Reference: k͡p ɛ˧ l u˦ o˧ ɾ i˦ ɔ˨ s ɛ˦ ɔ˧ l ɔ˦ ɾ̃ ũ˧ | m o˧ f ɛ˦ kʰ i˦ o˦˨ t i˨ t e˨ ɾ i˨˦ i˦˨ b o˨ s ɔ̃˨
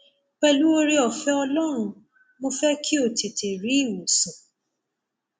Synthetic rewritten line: k͡p ɛ˧ l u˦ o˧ ɾ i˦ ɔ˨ f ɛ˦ ɔ˧ l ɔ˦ ɾ̃ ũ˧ | m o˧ f ɛ˦ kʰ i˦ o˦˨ t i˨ t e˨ ɾ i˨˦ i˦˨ w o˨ s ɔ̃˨